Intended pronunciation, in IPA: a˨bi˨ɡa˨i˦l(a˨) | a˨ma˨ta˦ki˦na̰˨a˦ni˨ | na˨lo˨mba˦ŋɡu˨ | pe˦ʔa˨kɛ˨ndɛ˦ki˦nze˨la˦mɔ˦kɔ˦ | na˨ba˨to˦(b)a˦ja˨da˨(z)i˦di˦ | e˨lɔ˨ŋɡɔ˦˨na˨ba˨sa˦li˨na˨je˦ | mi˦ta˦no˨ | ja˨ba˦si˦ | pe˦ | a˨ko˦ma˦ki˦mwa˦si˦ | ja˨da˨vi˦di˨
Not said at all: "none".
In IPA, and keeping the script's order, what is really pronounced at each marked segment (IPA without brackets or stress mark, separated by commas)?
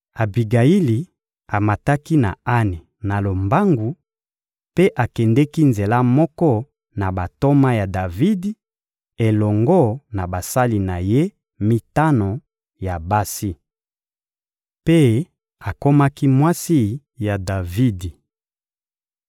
i˨, m, v